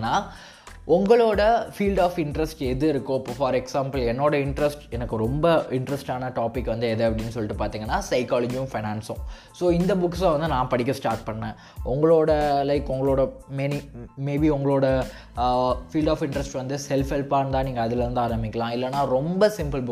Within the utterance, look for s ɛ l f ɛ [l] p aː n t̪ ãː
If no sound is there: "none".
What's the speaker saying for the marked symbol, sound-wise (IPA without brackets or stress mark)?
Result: l